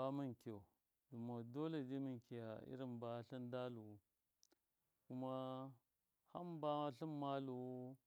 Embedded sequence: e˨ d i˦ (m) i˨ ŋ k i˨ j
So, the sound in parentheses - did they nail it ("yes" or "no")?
yes